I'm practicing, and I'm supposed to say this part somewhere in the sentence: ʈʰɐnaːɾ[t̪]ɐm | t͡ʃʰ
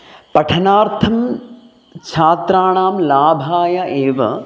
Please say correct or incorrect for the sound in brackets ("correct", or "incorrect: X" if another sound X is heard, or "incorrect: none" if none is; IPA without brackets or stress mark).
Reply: incorrect: t̪ʰ